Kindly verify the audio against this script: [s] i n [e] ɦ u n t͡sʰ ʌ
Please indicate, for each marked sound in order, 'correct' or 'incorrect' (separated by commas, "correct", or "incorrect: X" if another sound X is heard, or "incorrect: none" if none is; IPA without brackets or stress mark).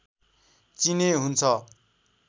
incorrect: t͡s, correct